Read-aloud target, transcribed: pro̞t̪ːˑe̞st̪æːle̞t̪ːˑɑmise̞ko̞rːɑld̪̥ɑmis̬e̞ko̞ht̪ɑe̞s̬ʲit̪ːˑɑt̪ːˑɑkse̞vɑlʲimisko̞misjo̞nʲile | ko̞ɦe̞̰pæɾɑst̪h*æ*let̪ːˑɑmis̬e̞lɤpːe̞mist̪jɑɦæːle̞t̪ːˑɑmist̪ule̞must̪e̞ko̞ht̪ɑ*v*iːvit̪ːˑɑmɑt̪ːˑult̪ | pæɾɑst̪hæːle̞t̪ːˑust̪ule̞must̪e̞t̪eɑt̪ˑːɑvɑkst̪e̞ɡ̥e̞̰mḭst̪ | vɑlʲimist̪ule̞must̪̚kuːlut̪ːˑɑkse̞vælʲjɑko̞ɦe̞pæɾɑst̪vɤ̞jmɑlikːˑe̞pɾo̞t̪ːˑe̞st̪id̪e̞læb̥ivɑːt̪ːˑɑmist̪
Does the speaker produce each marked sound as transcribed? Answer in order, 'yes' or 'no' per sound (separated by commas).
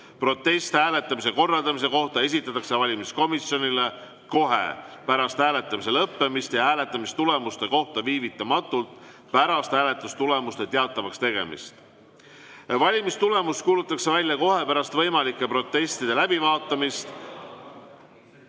no, yes